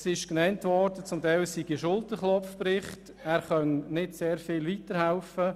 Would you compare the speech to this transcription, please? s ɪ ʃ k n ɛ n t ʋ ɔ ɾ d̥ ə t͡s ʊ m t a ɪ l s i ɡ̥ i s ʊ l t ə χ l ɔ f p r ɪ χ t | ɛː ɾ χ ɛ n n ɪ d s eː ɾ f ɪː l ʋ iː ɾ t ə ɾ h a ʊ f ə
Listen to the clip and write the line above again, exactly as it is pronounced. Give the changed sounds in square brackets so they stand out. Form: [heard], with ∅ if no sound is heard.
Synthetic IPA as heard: s ɪ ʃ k n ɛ n t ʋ ɔ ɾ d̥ ə t͡s ʊ m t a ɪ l s i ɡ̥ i [ʃ] ʊ l t ə χ l ɔ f p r ɪ χ t | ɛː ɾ χ [œ] n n ɪ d s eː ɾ f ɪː l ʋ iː [∅] t ə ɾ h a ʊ f ə